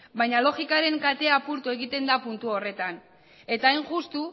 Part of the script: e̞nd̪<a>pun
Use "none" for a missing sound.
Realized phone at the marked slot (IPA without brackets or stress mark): a